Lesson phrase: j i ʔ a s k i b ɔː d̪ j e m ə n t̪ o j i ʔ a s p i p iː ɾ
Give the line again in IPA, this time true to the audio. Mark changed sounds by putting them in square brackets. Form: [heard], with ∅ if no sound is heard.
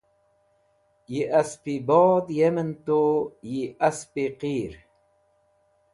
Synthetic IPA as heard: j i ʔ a s [p] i b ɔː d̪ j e m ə n t̪ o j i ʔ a s p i [q] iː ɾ